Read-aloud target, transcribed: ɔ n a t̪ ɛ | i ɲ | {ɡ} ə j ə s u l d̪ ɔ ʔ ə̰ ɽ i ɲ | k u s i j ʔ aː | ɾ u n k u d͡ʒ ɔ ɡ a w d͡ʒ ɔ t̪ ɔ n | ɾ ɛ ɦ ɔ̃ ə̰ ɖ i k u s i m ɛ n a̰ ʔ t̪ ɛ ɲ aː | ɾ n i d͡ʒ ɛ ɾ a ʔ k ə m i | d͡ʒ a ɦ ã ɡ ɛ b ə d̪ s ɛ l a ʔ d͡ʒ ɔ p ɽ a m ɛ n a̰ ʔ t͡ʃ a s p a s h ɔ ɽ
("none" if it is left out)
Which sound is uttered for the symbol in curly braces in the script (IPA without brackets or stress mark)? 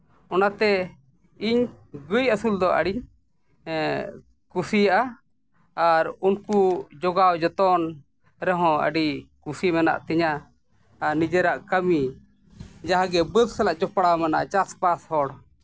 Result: ɡ